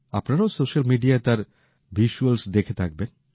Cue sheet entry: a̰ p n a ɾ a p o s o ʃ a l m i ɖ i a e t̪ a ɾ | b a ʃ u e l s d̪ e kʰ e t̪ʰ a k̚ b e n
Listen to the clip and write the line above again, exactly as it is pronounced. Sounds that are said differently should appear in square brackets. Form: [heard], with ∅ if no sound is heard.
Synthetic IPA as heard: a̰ p n a ɾ a [∅] o s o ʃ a l m i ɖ i a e t̪ a ɾ | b [i] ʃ u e l s d̪ e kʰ e t̪ʰ a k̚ b e n